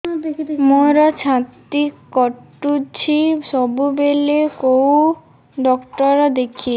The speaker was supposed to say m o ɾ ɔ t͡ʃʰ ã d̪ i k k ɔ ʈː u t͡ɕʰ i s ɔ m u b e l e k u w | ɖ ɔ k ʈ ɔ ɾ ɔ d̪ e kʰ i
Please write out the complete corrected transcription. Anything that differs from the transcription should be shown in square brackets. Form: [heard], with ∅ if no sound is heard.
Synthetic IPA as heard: m o ɾ ɔ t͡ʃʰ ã [t̪] i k k ɔ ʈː u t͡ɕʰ i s ɔ [b] u b e l e k [o] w | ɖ ɔ k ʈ ɔ ɾ ɔ d̪ e kʰ i

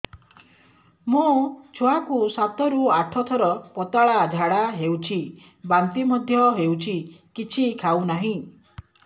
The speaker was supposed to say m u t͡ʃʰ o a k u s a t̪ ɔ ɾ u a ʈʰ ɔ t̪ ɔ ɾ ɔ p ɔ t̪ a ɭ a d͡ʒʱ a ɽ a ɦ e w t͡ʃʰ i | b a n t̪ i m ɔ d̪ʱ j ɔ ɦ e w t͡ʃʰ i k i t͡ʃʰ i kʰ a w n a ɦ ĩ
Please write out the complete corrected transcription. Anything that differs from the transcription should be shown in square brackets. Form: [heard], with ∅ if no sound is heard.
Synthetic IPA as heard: m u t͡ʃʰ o a k u s a t̪ ɔ ɾ u a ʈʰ ɔ [t̪ʰ] ɔ ɾ ɔ p ɔ t̪ a ɭ a d͡ʒʱ a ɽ a ɦ e w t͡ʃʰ i | b a n t̪ i m ɔ d̪ʱ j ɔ ɦ e w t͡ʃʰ i k i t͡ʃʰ i kʰ a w n a ɦ ĩ

